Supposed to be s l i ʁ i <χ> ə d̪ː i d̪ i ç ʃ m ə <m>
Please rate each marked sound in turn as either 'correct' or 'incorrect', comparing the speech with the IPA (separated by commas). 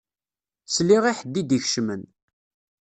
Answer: incorrect, incorrect